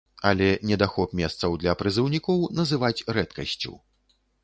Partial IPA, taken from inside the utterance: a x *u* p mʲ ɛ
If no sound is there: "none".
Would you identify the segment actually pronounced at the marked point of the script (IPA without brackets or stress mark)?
ɔ